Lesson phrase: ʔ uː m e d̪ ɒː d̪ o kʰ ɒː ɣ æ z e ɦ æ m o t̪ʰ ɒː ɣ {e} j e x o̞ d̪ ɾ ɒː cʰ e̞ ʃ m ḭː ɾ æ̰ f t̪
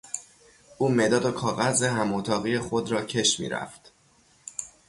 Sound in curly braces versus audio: incorrect: i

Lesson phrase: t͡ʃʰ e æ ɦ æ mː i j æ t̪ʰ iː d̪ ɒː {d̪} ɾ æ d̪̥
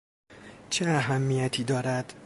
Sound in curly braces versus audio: incorrect: none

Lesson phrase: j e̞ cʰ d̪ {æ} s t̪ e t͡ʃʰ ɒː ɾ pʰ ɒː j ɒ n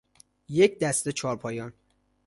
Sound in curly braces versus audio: correct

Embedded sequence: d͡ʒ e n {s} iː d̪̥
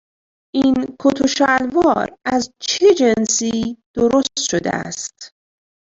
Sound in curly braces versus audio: correct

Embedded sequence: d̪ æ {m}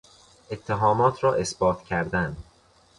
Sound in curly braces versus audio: incorrect: n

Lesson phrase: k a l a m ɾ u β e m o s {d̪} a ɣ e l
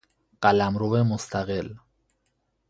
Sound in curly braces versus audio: incorrect: t̪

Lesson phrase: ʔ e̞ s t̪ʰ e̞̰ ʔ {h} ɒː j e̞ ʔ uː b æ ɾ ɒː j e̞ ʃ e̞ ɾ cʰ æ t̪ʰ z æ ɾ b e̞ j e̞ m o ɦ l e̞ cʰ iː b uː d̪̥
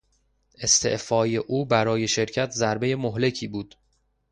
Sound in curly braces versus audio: incorrect: f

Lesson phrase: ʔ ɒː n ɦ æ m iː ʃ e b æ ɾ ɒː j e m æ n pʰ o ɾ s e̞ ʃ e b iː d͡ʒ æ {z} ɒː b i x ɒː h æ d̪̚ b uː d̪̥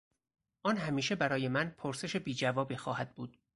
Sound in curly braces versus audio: incorrect: v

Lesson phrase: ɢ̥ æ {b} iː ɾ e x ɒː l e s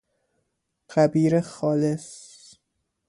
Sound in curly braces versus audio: correct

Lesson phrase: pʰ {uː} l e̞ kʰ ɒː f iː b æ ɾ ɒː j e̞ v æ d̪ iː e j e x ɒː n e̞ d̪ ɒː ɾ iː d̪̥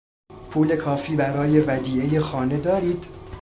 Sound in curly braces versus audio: correct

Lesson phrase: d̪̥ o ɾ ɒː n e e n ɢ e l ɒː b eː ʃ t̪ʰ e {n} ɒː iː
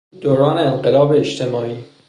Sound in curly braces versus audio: incorrect: m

